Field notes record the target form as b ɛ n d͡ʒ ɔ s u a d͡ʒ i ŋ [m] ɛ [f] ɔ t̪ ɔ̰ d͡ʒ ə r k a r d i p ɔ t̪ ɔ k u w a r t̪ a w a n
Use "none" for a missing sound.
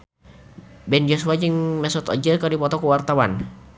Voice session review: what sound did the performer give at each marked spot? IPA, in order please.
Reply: m, s

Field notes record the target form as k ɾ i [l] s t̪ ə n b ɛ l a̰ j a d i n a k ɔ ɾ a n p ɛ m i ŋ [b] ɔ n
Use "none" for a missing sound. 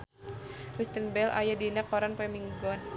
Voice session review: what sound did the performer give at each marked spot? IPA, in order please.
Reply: none, ɡ

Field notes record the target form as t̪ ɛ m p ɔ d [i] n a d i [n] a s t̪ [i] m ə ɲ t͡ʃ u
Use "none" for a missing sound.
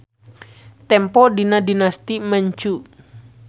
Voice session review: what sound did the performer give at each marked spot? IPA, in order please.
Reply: i, n, i

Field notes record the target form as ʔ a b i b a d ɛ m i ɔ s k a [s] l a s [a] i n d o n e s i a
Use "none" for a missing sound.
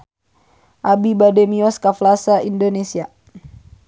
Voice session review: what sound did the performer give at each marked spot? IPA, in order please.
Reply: f, a

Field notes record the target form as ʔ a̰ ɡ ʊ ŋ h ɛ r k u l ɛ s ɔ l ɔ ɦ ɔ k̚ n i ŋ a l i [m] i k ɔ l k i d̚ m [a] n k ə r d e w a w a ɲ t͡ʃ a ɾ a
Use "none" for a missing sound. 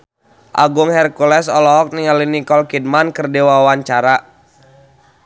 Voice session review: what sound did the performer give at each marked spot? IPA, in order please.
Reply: n, a

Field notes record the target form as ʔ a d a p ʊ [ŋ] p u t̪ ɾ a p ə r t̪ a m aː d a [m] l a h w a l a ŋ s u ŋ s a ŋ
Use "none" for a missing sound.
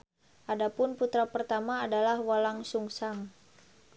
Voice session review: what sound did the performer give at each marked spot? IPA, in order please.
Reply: n, none

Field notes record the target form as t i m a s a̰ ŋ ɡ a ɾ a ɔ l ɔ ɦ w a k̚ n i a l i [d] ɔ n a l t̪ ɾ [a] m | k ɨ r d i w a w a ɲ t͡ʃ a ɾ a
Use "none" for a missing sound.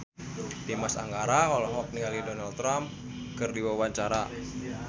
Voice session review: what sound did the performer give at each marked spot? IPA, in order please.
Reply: d, a

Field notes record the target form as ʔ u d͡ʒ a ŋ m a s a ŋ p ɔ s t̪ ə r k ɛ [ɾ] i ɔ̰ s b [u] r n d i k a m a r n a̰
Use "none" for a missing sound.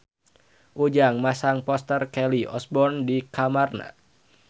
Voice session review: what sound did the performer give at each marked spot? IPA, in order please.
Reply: l, ɔ

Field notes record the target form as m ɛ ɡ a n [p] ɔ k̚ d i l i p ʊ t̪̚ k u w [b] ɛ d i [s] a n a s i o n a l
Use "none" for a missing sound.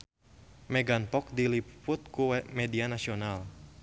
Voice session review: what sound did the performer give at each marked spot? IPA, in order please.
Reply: p, m, none

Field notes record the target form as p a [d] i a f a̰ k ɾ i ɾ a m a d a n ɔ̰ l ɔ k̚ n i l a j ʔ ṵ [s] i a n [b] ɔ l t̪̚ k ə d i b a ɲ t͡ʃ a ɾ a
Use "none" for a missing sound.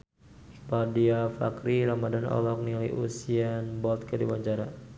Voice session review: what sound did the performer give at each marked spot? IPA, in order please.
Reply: d, s, b

